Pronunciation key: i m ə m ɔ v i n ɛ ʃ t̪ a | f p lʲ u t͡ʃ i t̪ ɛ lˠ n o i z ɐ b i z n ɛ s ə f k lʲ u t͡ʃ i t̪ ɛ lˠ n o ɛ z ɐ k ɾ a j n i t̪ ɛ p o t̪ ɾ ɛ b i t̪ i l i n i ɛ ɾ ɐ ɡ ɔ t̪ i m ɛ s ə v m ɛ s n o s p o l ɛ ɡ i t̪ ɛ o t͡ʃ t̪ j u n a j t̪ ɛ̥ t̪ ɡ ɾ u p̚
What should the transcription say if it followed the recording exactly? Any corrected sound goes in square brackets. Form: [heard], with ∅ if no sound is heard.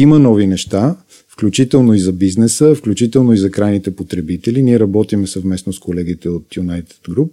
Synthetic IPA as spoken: i m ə [n] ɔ v i n ɛ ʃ t̪ a | f [k] lʲ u t͡ʃ i t̪ ɛ lˠ n o i z ɐ b i z n ɛ s ə f k lʲ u t͡ʃ i t̪ ɛ lˠ n o [i] z ɐ k ɾ a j n i t̪ ɛ p o t̪ ɾ ɛ b i t̪ [ɛ] l i n i ɛ ɾ ɐ [b] ɔ t̪ i m ɛ s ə v m ɛ s n o s [k] o l ɛ ɡ i t̪ ɛ o [∅] t̪ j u n a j t̪ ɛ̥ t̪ ɡ ɾ u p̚